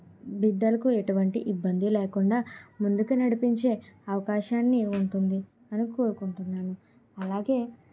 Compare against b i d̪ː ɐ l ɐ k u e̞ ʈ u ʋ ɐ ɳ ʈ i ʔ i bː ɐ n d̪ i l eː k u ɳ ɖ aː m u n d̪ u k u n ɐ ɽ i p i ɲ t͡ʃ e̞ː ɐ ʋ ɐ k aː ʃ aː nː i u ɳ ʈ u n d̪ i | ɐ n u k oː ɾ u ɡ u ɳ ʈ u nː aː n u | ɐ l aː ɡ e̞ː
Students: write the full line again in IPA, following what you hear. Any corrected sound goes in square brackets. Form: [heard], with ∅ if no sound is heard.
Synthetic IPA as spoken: b i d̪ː ɐ l ɐ k u e̞ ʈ u ʋ ɐ ɳ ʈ i ʔ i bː ɐ n d̪ i l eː k u ɳ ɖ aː m u n d̪ u k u n ɐ ɽ i p i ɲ t͡ʃ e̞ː ɐ ʋ ɐ k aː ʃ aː nː i u ɳ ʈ u n d̪ i | ɐ n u k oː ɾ u [k] u ɳ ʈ u nː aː n u | ɐ l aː ɡ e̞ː